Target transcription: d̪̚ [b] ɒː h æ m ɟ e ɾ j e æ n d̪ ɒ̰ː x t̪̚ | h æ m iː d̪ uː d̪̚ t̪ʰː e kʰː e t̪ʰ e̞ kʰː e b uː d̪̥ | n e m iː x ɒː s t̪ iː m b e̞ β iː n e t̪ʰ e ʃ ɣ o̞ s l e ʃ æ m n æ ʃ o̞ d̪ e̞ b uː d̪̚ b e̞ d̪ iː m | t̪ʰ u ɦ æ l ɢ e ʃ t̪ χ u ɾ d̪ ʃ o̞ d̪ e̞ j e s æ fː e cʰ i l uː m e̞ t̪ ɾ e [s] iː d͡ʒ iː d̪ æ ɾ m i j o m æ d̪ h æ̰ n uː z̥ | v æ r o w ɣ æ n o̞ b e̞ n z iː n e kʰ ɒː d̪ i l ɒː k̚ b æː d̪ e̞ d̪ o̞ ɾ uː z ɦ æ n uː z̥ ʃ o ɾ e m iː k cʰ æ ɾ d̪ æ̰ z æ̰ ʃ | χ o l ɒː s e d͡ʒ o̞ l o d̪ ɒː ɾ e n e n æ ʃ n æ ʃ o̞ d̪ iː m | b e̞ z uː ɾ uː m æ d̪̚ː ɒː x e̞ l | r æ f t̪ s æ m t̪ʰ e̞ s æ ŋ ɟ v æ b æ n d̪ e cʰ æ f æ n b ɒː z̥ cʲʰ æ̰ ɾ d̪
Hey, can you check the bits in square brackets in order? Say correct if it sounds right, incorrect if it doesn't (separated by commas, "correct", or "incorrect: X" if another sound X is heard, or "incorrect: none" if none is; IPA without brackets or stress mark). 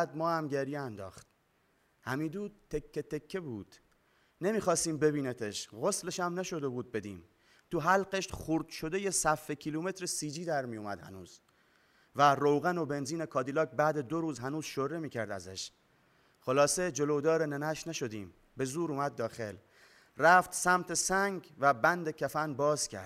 incorrect: m, correct